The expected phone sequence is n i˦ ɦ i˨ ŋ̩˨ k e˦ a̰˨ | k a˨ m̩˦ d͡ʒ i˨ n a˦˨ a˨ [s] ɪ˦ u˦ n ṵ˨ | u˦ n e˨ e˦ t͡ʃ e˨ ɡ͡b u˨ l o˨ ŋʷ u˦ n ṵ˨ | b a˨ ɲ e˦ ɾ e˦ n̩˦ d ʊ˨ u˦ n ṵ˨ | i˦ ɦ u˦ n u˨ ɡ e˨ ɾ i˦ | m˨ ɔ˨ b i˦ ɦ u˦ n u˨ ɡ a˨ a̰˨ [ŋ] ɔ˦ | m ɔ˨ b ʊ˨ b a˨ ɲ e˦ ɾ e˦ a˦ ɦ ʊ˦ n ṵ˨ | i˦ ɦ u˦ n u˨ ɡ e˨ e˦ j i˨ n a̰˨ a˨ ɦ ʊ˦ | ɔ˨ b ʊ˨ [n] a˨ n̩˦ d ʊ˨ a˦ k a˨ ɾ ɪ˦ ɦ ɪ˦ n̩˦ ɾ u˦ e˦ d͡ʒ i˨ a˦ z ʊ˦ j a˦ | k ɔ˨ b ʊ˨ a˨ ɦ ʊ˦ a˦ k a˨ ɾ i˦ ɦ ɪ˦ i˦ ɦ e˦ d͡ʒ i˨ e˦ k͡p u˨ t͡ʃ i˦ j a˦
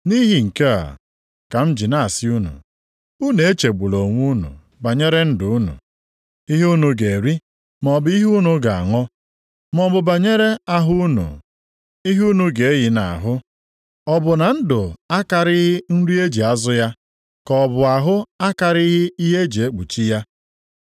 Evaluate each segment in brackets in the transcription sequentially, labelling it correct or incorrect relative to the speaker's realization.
correct, correct, correct

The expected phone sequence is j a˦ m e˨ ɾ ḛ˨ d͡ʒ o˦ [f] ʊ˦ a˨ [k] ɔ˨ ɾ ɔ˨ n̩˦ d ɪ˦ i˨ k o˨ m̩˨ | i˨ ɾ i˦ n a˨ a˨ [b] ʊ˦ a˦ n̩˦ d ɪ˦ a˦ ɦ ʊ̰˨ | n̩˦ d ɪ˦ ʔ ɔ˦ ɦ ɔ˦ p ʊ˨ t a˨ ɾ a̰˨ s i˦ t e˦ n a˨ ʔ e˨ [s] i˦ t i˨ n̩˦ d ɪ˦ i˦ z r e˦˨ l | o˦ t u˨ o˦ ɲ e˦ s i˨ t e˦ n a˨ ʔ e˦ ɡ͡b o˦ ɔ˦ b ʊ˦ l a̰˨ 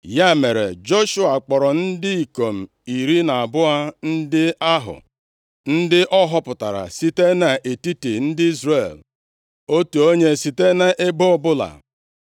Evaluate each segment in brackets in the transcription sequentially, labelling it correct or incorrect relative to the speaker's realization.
incorrect: ʃ, incorrect: k͡p, correct, incorrect: t

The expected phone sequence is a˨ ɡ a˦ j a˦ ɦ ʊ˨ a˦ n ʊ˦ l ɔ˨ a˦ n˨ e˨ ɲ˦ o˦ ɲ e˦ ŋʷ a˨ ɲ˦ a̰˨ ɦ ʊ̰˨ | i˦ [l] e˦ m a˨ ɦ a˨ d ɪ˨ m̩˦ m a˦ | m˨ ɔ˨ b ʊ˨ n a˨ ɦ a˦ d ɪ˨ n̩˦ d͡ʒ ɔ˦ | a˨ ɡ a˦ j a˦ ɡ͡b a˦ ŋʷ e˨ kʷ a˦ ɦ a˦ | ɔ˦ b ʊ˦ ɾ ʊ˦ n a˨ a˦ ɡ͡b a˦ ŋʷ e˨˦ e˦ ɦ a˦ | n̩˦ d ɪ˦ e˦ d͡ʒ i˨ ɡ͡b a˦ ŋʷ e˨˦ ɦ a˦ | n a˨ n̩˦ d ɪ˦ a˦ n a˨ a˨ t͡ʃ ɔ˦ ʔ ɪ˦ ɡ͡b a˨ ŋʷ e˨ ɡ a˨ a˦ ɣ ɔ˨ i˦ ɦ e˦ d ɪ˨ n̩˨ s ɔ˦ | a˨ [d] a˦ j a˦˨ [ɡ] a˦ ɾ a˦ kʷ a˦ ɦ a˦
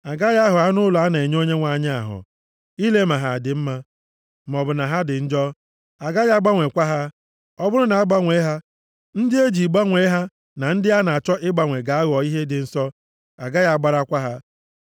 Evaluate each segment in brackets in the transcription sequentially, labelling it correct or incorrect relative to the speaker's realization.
correct, incorrect: ɡ, incorrect: ɡ͡b

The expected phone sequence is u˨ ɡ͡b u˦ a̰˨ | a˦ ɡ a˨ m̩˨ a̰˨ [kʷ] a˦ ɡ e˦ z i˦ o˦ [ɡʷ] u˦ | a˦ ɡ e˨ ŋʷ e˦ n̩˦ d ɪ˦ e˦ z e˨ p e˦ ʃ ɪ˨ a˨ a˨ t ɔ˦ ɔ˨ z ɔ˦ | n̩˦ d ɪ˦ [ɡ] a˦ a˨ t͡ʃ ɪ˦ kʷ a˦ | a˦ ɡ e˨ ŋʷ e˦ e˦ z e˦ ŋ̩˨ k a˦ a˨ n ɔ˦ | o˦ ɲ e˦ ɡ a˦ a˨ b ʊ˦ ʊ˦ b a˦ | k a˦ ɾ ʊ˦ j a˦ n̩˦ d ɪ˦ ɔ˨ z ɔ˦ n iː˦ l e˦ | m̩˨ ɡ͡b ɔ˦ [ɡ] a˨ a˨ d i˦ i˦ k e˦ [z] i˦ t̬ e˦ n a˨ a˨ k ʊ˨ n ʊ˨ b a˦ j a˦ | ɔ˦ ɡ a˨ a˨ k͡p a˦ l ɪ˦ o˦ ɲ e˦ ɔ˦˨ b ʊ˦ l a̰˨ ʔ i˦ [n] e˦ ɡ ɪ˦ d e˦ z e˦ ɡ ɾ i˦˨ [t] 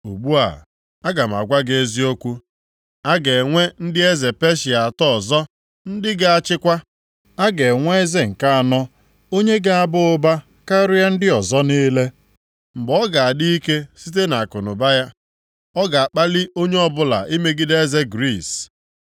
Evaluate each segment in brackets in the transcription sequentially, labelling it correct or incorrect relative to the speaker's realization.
incorrect: ɡʷ, incorrect: kʷ, correct, correct, incorrect: s, incorrect: m, incorrect: s

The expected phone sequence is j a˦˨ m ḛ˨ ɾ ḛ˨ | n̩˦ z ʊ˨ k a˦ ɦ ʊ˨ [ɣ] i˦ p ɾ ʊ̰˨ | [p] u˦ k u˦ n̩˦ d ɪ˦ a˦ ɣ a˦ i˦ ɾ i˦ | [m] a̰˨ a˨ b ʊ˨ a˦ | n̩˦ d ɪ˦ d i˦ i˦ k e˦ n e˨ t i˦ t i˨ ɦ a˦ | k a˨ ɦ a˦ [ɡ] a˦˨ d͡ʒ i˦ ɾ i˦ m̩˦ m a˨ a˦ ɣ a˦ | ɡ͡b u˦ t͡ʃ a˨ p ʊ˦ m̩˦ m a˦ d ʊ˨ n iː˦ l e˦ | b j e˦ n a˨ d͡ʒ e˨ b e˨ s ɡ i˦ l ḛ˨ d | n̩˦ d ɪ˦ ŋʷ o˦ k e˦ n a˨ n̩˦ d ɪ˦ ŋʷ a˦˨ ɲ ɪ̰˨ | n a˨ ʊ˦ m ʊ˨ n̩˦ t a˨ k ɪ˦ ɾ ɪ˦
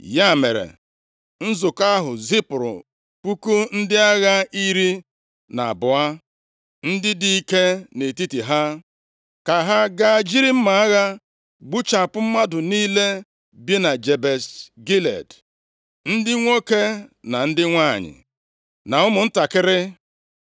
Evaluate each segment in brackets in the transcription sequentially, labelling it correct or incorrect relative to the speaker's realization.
incorrect: z, correct, incorrect: n, correct

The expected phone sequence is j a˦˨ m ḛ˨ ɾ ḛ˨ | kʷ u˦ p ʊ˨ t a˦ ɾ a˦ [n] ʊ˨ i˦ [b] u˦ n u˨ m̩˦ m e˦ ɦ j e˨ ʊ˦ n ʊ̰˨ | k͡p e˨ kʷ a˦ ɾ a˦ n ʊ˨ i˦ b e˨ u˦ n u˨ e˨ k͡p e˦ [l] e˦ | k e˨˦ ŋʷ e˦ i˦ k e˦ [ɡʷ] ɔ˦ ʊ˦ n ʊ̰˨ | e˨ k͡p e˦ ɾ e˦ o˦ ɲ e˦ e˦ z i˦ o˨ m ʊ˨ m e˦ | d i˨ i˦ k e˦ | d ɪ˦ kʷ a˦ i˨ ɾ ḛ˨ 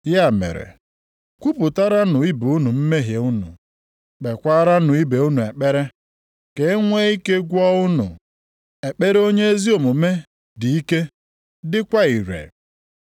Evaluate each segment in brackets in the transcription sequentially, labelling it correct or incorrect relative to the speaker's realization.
correct, correct, incorrect: ɾ, correct

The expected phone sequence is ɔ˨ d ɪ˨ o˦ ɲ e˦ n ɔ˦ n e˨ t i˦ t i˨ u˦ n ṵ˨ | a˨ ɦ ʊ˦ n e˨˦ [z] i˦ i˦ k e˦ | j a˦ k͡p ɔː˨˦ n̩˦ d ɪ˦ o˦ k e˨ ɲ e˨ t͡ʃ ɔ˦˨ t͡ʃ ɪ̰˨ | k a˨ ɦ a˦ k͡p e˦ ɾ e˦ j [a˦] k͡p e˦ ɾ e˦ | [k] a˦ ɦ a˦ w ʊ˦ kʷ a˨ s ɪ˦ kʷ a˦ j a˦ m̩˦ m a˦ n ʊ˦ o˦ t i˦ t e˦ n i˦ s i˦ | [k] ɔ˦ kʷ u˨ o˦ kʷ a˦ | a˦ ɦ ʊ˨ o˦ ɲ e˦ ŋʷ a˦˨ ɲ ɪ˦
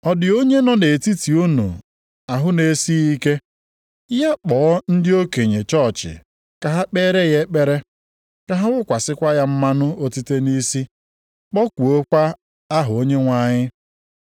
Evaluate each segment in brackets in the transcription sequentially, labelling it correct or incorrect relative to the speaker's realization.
incorrect: s, incorrect: e˦, correct, incorrect: k͡p

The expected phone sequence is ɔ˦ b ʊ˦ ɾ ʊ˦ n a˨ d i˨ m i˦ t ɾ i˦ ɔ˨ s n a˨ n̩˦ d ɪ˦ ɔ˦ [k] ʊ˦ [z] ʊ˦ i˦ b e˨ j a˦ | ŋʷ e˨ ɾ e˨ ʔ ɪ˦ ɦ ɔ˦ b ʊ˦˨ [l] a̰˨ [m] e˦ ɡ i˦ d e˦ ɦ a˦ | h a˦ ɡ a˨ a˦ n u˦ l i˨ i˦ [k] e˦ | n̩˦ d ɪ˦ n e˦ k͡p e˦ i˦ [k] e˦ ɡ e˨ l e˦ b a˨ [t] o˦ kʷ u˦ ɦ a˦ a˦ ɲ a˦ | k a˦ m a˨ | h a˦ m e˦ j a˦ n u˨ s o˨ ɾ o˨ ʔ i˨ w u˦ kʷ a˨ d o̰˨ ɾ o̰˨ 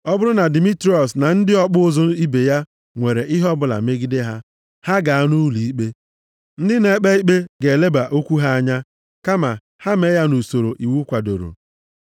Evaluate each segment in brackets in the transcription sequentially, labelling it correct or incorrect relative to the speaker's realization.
incorrect: k͡p, correct, correct, correct, incorrect: k͡p, incorrect: k͡p, incorrect: ʔ

